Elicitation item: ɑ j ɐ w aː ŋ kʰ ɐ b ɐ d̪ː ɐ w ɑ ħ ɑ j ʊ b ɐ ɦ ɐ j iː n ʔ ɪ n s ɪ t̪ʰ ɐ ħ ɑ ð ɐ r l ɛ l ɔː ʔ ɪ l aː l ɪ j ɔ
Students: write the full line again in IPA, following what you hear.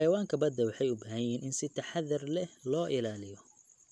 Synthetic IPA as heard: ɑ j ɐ w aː ŋ kʰ ɐ b ɐ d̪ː ɐ w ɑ ħ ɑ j ʊ b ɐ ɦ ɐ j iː n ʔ ɪ n s ɪ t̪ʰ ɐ ħ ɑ ð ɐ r l ɛ l ɔː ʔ ɪ l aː l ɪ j ɔ